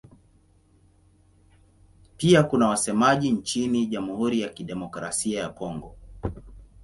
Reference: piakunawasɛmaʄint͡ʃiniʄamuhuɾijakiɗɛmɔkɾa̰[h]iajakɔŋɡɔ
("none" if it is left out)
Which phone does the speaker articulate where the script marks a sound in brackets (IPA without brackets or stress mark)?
s